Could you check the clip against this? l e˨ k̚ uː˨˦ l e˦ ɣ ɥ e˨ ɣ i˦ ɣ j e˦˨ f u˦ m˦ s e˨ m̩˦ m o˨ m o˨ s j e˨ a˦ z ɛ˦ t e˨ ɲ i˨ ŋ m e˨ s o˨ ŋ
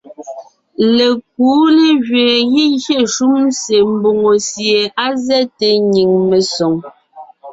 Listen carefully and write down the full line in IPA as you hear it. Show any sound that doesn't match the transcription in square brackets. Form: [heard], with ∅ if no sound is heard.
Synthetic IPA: l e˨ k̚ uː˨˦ l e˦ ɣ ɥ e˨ ɣ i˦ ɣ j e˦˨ [ʃ] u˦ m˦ s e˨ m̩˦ [b] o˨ [ŋ] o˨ s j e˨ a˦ z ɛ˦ t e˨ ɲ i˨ ŋ m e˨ s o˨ ŋ